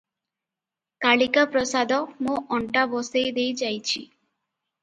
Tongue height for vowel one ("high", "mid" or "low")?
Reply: low